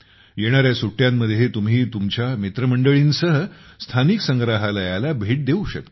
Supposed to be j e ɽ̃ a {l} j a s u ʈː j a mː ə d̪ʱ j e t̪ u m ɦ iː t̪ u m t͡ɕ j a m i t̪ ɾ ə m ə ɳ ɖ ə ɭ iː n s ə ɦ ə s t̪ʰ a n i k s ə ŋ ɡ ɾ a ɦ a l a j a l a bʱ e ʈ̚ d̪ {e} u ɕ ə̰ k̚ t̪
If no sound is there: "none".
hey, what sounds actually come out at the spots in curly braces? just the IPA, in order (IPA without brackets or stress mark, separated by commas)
ɾ, e